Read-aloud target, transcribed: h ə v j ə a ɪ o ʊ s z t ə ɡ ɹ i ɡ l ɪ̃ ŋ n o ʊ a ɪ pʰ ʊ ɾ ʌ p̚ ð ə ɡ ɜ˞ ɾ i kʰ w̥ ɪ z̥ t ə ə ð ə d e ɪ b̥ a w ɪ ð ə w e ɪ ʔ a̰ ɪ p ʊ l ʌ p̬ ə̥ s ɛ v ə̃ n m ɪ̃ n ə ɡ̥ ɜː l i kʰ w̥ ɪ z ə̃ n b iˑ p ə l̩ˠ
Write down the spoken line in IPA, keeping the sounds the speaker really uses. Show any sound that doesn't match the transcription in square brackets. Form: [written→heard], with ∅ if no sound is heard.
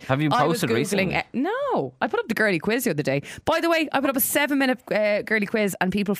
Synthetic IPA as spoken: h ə v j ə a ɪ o ʊ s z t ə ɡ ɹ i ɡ l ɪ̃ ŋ n o ʊ a ɪ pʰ ʊ ɾ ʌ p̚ ð ə ɡ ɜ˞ [ɾ→l] i kʰ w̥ ɪ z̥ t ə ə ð ə d e ɪ b̥ a [w→∅] ɪ ð ə w e ɪ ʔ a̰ ɪ p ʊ [l→ɾ] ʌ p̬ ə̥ s ɛ v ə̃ n m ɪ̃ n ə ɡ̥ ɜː l i kʰ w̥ ɪ z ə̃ n [b→p] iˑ p ə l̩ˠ